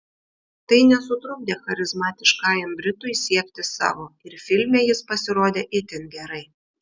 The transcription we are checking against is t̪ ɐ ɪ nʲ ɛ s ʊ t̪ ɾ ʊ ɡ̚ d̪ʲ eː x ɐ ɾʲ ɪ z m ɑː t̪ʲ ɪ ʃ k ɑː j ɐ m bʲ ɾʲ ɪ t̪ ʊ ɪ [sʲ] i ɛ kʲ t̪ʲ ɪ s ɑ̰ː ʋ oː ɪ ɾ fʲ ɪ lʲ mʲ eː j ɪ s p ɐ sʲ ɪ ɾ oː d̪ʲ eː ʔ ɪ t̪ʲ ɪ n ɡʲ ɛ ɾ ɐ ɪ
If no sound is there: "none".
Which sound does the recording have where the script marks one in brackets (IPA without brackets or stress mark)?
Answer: sʲ